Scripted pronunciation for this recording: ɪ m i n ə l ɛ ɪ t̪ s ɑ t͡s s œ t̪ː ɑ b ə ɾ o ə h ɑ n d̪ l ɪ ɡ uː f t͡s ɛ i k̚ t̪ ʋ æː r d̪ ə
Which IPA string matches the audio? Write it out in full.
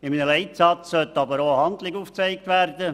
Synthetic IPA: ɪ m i n ə l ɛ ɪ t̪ s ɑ t͡s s œ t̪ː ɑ b ə ɾ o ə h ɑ n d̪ l ɪ ɡ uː f t͡s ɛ ɪ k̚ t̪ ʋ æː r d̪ ə